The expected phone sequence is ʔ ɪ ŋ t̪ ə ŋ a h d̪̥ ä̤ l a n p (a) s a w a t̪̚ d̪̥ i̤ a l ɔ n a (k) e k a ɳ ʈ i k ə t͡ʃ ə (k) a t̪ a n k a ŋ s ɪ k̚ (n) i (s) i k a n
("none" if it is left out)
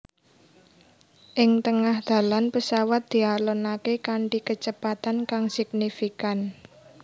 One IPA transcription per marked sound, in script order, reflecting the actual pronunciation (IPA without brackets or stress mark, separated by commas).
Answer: ə, k, p, n, f